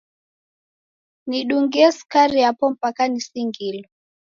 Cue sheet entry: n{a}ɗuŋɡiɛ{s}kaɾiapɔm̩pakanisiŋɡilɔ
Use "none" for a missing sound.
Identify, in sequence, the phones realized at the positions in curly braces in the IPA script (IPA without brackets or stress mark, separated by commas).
i, s